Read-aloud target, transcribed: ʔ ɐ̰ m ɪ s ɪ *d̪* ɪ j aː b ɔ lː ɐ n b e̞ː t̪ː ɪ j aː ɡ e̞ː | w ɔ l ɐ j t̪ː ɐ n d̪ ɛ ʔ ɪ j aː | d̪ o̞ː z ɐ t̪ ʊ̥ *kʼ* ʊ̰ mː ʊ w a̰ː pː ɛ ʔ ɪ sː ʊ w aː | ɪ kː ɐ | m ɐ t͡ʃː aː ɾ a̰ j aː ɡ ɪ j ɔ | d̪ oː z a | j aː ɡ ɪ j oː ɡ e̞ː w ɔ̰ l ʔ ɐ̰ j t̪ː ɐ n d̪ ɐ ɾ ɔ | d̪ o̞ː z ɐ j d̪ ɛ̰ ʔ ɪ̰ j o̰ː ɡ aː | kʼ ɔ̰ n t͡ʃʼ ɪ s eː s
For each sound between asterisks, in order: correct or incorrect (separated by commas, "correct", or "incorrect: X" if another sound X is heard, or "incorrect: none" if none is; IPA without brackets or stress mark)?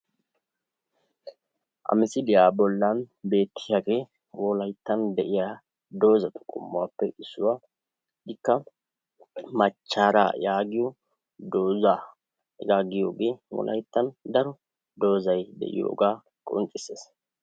correct, correct